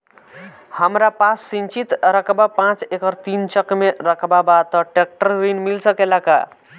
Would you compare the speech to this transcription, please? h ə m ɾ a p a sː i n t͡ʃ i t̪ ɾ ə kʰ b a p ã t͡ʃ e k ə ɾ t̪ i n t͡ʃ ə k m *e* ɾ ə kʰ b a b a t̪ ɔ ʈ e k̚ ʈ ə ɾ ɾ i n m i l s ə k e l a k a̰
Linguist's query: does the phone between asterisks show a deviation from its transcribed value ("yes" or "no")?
no